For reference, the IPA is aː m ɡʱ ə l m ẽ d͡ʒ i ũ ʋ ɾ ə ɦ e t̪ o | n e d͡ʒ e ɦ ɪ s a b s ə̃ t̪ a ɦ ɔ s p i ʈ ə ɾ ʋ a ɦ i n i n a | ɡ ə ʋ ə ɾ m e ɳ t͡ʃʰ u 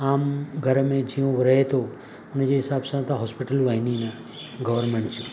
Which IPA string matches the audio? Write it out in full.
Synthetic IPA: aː m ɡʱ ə ɾ m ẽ d͡ʒ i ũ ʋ ɾ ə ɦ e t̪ o | n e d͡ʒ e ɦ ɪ s a b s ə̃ t̪ a ɦ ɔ s p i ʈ ə l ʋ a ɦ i n i n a | ɡ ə ʋ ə ɾ m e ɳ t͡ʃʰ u

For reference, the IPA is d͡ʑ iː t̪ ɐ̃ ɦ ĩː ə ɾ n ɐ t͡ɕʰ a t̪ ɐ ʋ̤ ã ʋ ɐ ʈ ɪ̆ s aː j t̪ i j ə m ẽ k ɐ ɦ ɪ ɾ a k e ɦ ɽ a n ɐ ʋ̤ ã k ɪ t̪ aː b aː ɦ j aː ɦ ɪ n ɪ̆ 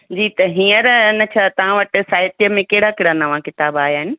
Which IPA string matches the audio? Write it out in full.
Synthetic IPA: d͡ʑ iː t̪ ɐ ɦ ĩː ə ɾ n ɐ t͡ɕʰ a t̪ ɐ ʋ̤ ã ʋ ɐ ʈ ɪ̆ s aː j t̪ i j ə m ẽ k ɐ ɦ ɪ ɽ a k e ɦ ɽ a n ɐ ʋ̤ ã k ɪ t̪ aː b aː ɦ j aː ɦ ɪ n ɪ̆

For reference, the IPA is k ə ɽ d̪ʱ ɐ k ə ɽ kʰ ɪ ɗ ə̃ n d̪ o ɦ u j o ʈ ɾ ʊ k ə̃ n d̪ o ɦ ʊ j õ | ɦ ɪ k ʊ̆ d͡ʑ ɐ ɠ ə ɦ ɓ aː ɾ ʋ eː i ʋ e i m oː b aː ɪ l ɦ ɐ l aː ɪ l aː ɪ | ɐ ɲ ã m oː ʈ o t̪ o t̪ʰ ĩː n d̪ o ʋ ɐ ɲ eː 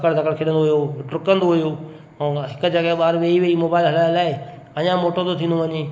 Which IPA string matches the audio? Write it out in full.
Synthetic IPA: k ə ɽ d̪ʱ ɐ k ə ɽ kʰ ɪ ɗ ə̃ n d̪ o ɦ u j o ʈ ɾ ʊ k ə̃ n d̪ o ɦ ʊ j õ | ɦ ɪ k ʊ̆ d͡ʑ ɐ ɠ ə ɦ ɓ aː ɾ ʋ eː i ʋ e i m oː b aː ɪ l ɦ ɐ l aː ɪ l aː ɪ | ɐ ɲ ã m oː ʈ o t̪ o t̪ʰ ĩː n d̪ o ʋ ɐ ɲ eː

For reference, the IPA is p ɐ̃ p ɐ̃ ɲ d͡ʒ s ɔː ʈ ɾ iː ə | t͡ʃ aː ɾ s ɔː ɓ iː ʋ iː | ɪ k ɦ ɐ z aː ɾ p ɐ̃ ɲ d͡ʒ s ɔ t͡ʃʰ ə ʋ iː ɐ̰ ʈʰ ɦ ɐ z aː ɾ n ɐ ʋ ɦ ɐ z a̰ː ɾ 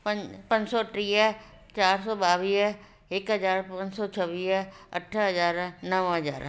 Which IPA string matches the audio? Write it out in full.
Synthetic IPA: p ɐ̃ p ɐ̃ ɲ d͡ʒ s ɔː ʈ ɾ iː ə | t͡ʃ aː ɾ s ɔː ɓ aː ʋ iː | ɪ k ɦ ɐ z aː ɾ p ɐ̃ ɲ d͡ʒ s ɔ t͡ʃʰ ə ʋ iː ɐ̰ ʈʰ ɦ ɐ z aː ɾ n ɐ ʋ ɦ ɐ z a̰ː ɾ

